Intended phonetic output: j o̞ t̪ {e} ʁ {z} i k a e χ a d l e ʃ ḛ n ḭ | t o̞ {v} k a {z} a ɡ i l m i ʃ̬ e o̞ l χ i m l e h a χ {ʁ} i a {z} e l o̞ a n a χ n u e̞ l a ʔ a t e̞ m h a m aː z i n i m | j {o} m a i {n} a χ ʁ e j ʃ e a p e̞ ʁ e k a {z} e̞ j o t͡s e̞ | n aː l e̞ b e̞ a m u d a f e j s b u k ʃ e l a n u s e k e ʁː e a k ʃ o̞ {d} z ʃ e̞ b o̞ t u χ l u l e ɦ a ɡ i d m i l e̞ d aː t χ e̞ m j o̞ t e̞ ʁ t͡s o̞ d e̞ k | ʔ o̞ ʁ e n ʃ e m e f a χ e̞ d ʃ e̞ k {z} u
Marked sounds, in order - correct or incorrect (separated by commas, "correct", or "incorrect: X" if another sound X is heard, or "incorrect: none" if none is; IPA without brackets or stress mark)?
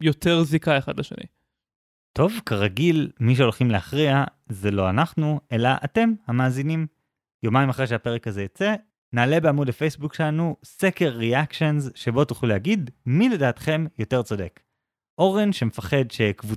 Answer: correct, correct, correct, incorrect: ʁ, correct, correct, correct, incorrect: m, correct, incorrect: n, incorrect: v